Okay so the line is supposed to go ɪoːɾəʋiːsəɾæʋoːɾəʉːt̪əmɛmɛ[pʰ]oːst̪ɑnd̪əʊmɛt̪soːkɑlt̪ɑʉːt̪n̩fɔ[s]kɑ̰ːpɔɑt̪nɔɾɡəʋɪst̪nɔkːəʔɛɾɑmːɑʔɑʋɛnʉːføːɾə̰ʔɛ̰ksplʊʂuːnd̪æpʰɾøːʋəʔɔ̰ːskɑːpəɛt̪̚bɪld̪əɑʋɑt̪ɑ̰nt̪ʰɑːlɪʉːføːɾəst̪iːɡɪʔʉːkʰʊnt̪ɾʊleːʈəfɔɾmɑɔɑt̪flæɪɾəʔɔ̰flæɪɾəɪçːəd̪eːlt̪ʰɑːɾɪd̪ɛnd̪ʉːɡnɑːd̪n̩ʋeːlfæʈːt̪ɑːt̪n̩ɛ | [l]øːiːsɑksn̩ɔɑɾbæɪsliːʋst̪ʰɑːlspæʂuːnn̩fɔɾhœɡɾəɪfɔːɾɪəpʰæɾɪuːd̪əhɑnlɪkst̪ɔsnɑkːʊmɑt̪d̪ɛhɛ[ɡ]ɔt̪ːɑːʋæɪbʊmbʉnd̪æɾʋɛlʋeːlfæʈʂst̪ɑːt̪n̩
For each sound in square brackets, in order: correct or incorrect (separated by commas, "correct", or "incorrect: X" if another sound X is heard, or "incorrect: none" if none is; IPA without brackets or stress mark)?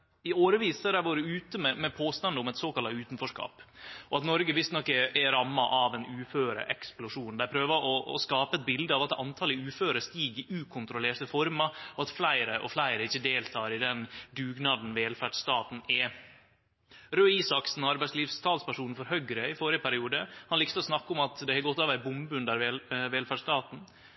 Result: correct, incorrect: ʂ, incorrect: ɾ, correct